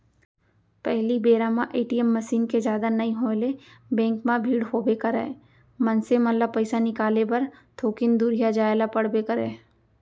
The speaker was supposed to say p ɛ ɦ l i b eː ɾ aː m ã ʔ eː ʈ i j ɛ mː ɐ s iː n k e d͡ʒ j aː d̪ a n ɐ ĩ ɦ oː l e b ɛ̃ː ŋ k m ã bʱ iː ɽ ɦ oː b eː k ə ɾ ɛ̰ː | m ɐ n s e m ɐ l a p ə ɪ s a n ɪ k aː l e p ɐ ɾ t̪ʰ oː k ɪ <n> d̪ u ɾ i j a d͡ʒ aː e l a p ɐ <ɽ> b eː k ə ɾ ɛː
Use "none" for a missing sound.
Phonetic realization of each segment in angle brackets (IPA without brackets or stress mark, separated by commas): n, ɽ